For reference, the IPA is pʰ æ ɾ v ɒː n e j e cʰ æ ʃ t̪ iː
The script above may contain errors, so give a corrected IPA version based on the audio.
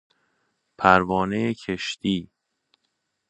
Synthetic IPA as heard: pʰ æ ɾ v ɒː n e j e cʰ e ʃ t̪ iː

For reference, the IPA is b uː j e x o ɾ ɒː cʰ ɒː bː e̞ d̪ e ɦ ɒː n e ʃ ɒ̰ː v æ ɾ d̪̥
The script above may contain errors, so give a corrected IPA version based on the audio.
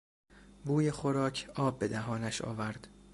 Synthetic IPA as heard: b uː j e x o ɾ ɒː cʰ ɒː bː e̞ d̪ æ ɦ ɒː n æ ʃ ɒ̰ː v æ ɾ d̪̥

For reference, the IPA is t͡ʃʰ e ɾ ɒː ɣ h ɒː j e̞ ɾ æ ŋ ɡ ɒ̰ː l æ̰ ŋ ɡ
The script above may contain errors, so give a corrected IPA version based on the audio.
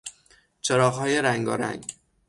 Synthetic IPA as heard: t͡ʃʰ e ɾ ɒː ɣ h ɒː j e̞ ɾ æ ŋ ɡ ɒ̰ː ɾ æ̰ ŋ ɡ

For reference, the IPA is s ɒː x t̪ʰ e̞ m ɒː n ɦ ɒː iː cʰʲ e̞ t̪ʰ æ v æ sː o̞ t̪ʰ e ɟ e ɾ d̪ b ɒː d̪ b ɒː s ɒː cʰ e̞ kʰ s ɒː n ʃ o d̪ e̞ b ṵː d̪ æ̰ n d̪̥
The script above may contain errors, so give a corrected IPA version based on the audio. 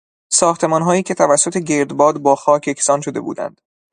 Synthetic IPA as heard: s ɒː x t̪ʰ e̞ m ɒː n ɦ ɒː iː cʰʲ e̞ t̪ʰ æ v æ sː o̞ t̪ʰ e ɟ e ɾ d̪ b ɒː d̪ b ɒː x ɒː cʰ e̞ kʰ s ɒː n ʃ o d̪ e̞ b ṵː d̪ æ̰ n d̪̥

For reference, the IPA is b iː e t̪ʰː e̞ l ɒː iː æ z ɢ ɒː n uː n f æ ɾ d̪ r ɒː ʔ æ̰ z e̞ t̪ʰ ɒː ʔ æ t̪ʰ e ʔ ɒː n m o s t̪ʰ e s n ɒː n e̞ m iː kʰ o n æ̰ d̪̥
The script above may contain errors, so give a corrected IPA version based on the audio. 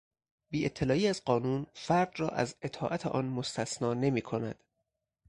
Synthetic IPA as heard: b iː e t̪ʰː e̞ l ɒː iː æ z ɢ ɒː n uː n f æ ɾ d̪ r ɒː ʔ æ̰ z e̞ t̪ʰ ɒː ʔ æ t̪ʰ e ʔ ɒː n m o s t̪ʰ æ s n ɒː n e̞ m iː kʰ o n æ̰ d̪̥

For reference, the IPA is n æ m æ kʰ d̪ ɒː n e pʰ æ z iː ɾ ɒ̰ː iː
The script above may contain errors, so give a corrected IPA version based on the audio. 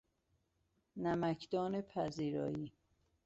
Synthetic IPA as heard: n æ m æ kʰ d̪ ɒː n e pʰ æ z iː ɾ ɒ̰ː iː

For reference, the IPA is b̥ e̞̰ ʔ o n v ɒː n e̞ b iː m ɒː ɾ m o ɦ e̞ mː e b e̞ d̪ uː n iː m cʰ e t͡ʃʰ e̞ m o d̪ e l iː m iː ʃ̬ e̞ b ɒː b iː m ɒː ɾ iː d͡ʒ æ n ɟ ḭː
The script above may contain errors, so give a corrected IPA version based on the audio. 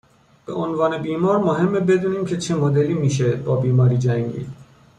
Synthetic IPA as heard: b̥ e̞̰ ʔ o n v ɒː n e̞ b iː m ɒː ɾ m o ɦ e̞ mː e b e̞ d̪ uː n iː m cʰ e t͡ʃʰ e̞ m o d̪ e l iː m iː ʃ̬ e̞ b ɒː b iː m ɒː ɾ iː d͡ʒ æ ŋ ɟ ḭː

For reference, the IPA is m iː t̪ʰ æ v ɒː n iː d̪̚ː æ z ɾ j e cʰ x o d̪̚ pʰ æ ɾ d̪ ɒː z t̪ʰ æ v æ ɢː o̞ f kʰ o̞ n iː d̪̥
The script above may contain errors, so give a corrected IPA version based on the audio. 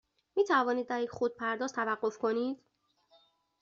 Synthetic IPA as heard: m iː t̪ʰ æ v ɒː n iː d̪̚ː æ ɾ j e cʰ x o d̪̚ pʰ æ ɾ d̪ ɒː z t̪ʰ æ v æ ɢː o̞ f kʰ o̞ n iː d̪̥

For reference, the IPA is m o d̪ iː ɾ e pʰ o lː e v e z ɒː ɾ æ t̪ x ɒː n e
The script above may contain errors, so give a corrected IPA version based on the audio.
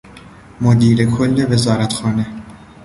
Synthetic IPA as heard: m o d̪ iː ɾ e kʰ o lː e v e z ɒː ɾ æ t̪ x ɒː n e

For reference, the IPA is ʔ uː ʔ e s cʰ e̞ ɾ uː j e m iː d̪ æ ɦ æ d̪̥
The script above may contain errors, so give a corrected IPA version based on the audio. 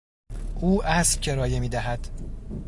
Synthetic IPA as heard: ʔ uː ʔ æ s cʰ e̞ ɾ ɒː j e m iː d̪ æ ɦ æ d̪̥

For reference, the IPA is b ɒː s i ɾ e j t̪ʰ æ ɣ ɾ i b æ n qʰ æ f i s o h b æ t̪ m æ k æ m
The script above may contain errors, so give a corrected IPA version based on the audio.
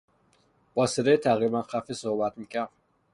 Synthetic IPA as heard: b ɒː s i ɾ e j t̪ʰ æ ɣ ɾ i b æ n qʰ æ f i s o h b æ t̪ m i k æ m

